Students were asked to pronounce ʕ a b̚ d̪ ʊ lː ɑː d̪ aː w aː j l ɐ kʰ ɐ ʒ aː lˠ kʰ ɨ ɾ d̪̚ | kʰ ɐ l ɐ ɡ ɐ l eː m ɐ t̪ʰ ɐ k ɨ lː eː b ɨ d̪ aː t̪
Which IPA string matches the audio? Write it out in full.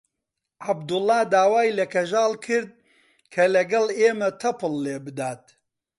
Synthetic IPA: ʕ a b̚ d̪ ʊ lː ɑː d̪ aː w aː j l ɐ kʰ ɐ ʒ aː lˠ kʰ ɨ ɾ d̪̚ | kʰ ɐ l ɐ ɡ ɐ l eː m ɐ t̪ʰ ɐ p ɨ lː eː b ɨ d̪ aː t̪